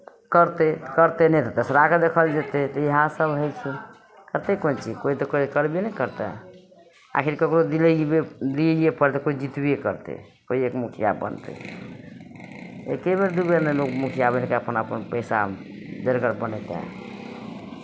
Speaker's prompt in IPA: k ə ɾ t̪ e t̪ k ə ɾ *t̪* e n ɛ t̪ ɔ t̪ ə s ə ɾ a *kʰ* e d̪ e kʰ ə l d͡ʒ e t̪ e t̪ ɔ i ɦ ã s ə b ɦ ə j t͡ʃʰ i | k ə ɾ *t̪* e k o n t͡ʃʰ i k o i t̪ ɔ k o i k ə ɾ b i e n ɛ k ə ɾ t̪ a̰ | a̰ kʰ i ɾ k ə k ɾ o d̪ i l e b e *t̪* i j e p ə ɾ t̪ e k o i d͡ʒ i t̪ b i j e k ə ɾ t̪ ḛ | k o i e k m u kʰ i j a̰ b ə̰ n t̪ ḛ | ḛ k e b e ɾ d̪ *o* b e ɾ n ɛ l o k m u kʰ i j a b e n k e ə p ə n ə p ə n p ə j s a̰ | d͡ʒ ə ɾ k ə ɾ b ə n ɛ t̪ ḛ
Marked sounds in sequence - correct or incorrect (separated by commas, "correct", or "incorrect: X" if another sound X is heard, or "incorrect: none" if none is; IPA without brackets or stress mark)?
correct, incorrect: k, correct, incorrect: d̪, incorrect: u